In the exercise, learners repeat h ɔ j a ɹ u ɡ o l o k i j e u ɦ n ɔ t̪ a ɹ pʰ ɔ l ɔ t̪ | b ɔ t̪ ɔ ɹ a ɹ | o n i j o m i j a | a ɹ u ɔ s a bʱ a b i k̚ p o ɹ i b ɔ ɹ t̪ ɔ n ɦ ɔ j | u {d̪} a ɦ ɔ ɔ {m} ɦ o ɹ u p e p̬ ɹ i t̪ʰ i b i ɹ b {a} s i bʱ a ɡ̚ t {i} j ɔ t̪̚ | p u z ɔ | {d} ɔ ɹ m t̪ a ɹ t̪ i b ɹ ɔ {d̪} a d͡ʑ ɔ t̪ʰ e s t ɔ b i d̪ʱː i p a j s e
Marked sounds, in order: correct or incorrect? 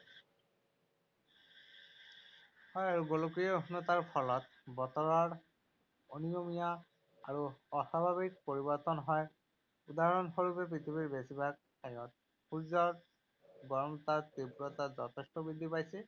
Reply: correct, incorrect: n, incorrect: e, incorrect: a, incorrect: ɡ, incorrect: t̪

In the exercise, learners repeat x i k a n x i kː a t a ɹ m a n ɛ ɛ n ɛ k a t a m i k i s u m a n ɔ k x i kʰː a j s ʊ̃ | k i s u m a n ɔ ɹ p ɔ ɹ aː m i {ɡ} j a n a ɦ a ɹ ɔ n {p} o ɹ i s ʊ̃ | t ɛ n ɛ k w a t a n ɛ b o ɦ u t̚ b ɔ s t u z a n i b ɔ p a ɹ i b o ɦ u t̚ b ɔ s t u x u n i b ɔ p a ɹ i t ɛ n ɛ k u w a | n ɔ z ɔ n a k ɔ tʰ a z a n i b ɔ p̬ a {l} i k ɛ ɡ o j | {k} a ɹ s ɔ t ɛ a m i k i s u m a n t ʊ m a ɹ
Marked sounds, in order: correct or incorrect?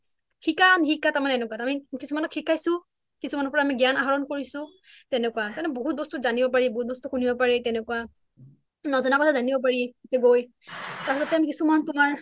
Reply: correct, incorrect: k, incorrect: ɹ, incorrect: t

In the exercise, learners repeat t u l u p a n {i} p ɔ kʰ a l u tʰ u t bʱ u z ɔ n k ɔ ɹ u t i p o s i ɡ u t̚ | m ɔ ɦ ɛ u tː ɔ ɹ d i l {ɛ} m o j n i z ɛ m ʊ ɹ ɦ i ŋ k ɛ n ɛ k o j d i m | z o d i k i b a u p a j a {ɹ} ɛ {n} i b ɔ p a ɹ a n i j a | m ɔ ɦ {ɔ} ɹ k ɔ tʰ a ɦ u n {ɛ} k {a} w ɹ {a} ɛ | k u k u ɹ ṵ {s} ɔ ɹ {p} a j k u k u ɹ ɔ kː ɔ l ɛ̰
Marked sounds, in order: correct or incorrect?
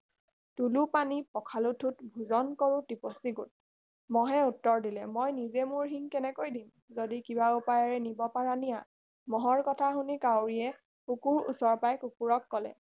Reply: correct, correct, correct, correct, correct, incorrect: i, correct, incorrect: i, correct, correct

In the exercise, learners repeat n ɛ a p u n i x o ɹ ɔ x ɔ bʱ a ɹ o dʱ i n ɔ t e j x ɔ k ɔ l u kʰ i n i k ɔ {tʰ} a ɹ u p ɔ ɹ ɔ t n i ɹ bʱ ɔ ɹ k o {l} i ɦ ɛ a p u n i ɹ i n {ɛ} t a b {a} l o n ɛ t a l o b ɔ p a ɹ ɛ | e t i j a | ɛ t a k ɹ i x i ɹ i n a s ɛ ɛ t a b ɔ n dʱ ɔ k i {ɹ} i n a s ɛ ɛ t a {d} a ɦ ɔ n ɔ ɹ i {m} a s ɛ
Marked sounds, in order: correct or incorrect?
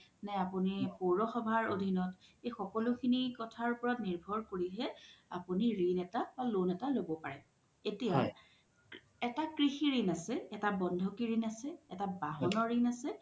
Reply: correct, incorrect: ɹ, correct, correct, correct, incorrect: b, incorrect: n

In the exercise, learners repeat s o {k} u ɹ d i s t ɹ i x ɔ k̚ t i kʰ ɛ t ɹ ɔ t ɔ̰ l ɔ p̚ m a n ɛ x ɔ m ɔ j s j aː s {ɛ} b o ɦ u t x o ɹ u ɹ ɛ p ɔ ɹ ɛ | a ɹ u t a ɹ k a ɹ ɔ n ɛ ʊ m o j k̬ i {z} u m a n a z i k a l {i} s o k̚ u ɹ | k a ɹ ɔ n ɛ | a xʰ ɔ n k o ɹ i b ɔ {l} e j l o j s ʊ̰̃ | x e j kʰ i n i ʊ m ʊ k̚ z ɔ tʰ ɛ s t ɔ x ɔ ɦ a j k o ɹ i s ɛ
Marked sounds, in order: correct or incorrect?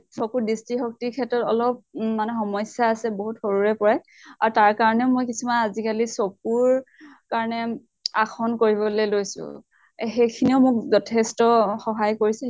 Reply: correct, correct, incorrect: s, correct, correct

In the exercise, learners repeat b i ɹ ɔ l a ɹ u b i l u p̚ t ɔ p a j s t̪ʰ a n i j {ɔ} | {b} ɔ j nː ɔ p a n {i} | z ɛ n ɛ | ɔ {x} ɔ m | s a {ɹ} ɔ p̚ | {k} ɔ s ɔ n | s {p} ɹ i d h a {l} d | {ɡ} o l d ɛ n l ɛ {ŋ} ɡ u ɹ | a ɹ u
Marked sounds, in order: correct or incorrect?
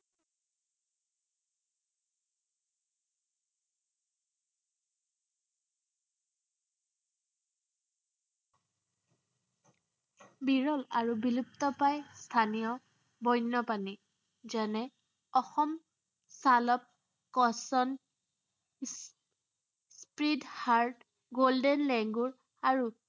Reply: correct, correct, correct, correct, incorrect: l, correct, correct, incorrect: ɹ, correct, correct

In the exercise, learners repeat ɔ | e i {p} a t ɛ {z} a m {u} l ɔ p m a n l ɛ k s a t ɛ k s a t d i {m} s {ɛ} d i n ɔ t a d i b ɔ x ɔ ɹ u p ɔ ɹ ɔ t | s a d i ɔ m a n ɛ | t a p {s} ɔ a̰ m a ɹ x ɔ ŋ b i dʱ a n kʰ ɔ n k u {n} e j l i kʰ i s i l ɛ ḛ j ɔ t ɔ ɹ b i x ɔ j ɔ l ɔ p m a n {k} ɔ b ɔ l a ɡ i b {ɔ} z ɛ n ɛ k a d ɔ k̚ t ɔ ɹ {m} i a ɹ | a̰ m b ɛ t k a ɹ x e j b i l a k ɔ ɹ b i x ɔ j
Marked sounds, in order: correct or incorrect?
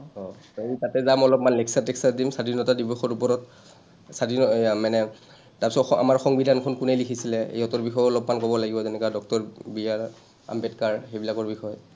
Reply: incorrect: t, correct, incorrect: ɔ, correct, incorrect: a, correct, correct, correct, correct, incorrect: b

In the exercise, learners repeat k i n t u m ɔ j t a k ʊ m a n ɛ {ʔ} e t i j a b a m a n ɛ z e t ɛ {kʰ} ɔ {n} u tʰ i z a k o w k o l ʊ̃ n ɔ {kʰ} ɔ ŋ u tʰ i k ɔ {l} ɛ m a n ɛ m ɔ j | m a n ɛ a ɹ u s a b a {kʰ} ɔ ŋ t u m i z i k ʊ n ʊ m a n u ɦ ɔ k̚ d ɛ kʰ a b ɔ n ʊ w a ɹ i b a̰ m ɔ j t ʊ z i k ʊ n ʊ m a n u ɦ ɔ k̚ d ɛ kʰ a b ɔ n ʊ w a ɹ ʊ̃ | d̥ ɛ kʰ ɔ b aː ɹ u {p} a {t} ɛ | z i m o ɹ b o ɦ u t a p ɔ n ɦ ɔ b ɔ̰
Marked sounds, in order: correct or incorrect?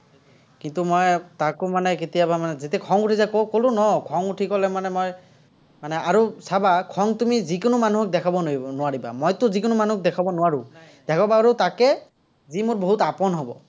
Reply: incorrect: k, correct, incorrect: ŋ, correct, correct, correct, incorrect: t, incorrect: k

